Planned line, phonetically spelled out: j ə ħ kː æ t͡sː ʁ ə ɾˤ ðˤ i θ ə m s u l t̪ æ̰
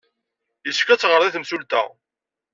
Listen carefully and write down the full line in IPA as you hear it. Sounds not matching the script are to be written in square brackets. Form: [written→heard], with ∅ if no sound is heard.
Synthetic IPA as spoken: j ə [ħ→s] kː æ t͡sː ʁ ə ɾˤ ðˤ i θ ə m s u l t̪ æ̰